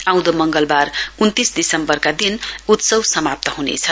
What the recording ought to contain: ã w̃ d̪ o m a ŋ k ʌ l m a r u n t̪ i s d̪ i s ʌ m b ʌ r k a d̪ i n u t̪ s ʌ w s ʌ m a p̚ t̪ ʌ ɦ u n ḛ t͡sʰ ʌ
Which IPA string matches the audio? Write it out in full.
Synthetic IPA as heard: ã w̃ d̪ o m ʌ ŋ ɡ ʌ l b a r u n t̪ i s d̪ i s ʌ m b ʌ r k a d̪ i n u t̪ s ʌ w s ʌ m a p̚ t̪ ʌ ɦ u n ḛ t͡sʰ ʌ